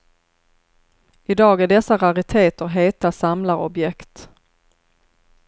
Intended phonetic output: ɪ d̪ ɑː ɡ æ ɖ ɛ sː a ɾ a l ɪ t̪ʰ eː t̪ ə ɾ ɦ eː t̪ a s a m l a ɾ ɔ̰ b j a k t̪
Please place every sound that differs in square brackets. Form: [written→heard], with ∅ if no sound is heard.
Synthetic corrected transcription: ɪ d̪ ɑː ɡ æ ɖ ɛ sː a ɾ a [l→ɾ] ɪ t̪ʰ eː t̪ ə ɾ ɦ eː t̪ a s a m l a ɾ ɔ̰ b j [a→ɛ] k t̪